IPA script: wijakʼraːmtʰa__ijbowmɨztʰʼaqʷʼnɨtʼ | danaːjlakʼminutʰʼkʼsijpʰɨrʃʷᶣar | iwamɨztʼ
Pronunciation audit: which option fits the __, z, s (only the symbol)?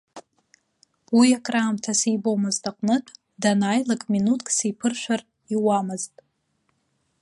s